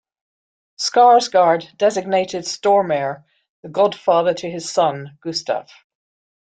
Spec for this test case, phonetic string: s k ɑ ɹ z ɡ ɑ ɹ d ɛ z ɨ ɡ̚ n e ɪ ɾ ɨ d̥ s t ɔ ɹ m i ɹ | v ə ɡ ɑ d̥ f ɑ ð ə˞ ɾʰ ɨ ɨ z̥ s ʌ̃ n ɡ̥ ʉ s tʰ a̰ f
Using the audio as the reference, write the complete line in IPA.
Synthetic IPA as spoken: s k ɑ ɹ z ɡ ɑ ɹ d ɛ z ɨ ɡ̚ n e ɪ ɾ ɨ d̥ s t ɔ ɹ m ɛ ɹ | ð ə ɡ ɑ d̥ f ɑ ð ə˞ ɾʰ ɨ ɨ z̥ s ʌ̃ n ɡ̥ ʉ s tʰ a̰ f